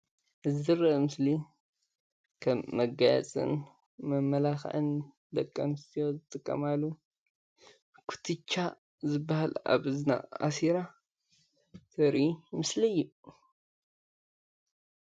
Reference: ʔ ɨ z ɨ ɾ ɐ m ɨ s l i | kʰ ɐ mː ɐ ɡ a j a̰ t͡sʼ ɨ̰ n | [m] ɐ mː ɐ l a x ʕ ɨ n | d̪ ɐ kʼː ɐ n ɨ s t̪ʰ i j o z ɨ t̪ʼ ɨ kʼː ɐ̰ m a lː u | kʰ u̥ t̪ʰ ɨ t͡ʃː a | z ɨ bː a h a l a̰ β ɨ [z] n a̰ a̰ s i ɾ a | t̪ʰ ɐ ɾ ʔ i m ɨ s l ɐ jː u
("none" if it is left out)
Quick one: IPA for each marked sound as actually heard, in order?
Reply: m, z

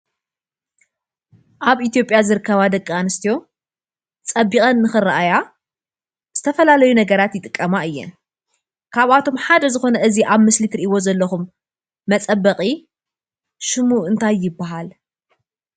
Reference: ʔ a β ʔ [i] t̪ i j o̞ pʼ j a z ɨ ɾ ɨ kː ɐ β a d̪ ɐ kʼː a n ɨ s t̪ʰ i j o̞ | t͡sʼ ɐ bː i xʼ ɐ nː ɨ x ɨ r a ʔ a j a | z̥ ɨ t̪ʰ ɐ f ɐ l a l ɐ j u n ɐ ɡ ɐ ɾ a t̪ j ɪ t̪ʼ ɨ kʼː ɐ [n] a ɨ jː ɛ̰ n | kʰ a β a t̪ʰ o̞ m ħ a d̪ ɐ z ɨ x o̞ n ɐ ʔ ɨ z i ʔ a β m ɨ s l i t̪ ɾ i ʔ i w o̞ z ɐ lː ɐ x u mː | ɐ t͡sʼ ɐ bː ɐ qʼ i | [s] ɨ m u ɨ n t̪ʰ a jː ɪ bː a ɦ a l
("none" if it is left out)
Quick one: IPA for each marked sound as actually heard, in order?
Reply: i, m, ʃ

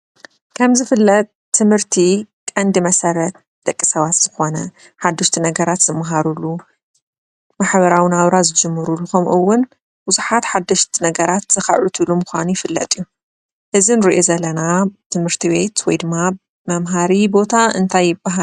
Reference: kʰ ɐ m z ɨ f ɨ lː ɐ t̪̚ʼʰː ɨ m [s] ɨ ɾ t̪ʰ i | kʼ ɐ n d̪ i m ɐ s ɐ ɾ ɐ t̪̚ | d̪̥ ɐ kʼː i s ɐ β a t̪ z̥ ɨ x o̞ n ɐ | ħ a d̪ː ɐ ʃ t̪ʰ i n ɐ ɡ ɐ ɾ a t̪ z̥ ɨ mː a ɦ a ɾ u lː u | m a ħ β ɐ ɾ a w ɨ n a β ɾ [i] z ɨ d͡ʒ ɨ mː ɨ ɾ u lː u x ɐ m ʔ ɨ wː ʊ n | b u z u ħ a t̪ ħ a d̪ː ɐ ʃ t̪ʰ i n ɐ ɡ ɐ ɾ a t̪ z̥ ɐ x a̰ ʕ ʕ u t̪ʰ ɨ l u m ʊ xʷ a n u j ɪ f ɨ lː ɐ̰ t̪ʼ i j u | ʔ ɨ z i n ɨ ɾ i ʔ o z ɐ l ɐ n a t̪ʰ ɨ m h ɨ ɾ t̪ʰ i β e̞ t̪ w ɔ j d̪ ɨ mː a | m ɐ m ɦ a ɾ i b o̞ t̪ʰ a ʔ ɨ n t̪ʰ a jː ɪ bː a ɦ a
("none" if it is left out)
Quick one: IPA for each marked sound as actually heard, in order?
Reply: h, a

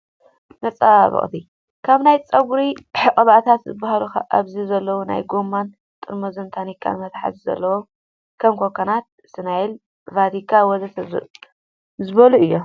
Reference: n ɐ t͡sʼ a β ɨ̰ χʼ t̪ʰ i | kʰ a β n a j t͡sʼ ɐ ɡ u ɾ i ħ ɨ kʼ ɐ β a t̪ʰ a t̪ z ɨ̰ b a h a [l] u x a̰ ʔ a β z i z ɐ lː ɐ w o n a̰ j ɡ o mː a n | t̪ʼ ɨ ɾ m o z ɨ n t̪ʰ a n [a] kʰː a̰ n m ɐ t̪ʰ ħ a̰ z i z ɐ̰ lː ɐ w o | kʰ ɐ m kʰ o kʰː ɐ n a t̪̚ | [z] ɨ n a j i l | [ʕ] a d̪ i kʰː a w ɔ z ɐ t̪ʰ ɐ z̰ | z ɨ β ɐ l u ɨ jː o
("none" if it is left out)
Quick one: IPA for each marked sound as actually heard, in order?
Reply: l, i, s, v

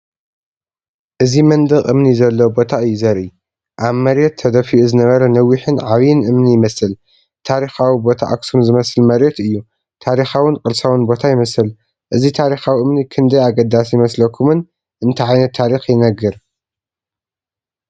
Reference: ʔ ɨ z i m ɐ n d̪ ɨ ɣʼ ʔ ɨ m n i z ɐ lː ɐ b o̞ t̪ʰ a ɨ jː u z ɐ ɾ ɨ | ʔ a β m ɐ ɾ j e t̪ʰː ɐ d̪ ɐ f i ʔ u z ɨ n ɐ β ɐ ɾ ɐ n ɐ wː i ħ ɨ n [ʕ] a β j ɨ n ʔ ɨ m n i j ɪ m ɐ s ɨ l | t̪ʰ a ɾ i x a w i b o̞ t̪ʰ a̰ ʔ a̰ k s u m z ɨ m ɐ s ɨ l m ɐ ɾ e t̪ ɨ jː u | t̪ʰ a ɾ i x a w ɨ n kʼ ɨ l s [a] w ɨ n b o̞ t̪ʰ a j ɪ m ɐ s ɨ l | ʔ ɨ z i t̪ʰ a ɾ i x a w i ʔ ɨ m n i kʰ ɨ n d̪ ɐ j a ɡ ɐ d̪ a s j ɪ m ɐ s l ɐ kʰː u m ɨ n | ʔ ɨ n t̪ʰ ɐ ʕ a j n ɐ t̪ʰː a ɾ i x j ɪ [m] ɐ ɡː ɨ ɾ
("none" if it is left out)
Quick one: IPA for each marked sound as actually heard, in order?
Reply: ʕ, a, n

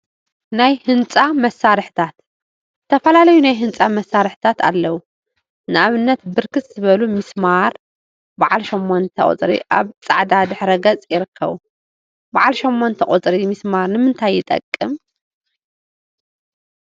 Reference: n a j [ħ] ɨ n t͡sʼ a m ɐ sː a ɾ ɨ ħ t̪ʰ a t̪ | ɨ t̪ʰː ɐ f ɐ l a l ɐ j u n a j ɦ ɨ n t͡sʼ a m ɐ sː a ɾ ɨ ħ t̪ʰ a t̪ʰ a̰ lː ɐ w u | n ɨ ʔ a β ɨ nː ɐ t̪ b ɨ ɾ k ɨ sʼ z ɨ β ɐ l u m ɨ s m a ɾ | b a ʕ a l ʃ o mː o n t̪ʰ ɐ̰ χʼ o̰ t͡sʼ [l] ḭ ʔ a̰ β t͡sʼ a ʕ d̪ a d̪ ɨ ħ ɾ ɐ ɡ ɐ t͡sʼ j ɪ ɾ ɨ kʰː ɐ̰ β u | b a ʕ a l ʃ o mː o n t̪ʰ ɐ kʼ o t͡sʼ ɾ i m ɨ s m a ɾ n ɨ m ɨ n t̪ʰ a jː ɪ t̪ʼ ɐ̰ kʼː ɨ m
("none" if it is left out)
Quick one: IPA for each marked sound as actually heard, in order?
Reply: h, ɾ

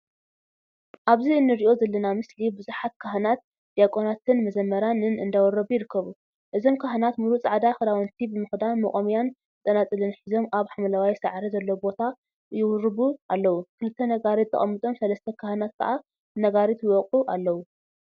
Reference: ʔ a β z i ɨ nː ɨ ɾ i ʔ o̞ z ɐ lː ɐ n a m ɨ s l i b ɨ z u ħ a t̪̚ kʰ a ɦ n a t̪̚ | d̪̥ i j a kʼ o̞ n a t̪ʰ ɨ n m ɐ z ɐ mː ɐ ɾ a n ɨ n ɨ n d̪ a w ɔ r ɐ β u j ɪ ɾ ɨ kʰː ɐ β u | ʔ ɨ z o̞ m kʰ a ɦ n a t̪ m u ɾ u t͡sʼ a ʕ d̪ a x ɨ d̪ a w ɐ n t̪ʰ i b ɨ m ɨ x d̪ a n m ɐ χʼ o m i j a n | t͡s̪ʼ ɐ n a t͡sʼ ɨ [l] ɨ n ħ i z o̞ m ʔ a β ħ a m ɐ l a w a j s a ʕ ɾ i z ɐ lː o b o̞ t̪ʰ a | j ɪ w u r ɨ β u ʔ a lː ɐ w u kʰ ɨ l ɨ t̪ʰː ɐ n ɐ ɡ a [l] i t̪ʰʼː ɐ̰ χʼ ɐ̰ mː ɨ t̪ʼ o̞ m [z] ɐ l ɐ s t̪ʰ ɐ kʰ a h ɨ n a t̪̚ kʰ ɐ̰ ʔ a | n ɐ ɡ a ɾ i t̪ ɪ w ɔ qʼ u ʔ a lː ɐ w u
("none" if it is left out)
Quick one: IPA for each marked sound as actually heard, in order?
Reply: l, ɾ, s

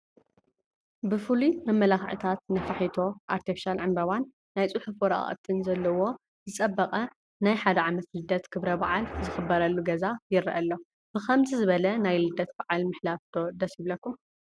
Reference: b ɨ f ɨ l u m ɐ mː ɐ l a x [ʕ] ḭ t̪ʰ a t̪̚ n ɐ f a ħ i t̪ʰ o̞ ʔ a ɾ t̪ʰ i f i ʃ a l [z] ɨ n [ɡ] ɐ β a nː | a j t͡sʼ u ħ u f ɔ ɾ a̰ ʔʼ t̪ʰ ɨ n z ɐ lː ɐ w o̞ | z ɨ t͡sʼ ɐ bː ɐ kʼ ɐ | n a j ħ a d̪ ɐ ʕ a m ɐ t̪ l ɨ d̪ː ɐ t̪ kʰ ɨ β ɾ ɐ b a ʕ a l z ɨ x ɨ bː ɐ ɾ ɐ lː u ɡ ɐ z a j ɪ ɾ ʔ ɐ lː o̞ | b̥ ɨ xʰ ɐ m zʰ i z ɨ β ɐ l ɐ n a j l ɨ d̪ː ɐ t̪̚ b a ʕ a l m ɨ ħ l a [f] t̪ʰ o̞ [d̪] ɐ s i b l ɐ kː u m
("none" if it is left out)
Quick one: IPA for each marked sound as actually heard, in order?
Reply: ʕ, ʕ, b, f, d̪

